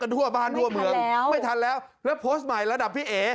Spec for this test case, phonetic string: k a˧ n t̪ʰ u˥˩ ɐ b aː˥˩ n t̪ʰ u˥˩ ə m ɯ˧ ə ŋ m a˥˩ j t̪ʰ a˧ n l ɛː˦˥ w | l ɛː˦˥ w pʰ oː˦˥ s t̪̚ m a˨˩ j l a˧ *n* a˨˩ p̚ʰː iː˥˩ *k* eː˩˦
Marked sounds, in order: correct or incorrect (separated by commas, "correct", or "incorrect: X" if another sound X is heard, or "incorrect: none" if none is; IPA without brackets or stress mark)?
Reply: incorrect: d, incorrect: ʔ